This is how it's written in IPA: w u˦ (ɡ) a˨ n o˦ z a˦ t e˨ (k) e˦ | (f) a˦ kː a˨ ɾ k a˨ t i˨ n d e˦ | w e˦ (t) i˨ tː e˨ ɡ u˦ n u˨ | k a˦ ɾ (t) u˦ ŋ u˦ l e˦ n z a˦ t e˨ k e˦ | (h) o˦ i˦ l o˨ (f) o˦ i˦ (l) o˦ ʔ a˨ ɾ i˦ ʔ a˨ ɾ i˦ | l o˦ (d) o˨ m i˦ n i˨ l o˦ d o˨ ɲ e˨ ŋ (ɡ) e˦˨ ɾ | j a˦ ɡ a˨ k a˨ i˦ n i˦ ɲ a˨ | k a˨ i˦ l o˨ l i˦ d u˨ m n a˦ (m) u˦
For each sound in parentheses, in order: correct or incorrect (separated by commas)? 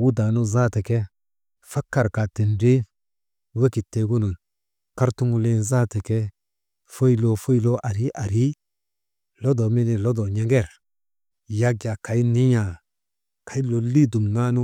incorrect, correct, correct, incorrect, correct, incorrect, correct, correct, correct, correct, incorrect